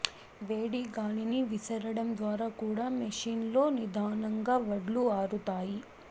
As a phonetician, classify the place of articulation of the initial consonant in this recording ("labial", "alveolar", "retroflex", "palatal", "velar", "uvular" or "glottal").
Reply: labial